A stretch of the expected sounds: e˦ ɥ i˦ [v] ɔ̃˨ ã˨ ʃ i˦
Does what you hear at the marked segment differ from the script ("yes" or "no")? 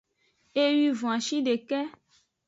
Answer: no